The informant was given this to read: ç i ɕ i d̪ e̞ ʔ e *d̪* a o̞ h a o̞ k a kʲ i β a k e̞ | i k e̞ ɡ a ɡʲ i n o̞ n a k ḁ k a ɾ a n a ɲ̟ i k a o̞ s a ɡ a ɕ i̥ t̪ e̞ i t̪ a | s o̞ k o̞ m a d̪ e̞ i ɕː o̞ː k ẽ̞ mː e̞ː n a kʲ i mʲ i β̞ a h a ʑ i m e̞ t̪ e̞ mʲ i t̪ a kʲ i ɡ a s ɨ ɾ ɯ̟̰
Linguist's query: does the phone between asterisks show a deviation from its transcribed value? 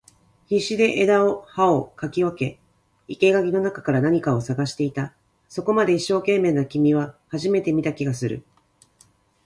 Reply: no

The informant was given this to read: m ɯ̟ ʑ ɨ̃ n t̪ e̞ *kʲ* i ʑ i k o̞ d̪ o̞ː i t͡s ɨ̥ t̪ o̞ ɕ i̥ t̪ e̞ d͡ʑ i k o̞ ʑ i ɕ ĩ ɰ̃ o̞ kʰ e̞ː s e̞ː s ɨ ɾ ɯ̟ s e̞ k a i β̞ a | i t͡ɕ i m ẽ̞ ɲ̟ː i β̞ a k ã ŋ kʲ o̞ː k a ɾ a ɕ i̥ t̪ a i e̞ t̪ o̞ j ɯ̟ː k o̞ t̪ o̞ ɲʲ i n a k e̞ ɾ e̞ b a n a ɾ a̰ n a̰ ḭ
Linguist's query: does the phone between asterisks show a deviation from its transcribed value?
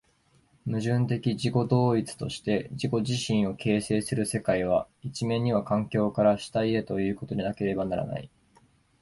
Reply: no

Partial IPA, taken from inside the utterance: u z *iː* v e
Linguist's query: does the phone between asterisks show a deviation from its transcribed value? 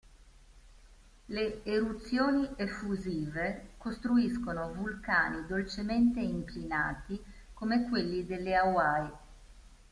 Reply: no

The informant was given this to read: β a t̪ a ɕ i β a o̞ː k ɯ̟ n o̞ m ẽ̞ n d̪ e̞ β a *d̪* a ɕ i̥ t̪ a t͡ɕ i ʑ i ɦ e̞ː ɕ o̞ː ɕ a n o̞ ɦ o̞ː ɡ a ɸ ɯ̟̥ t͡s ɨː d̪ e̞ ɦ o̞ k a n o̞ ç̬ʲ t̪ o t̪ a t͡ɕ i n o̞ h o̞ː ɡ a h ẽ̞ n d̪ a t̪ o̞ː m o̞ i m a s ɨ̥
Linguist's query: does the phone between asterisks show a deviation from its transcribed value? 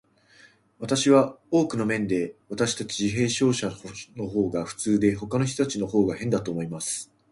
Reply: yes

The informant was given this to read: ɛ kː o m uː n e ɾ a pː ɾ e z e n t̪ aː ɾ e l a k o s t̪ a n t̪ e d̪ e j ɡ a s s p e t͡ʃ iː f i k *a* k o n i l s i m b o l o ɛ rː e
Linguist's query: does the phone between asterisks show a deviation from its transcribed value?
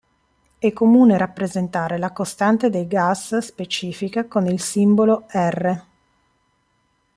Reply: no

